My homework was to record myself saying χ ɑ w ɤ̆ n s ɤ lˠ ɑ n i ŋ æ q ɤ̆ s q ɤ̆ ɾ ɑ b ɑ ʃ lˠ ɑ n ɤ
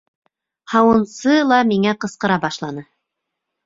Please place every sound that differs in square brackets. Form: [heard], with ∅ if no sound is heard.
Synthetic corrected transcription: [h] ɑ w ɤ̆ n s ɤ lˠ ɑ [m] i ŋ æ q ɤ̆ s q ɤ̆ ɾ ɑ b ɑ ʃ lˠ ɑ n ɤ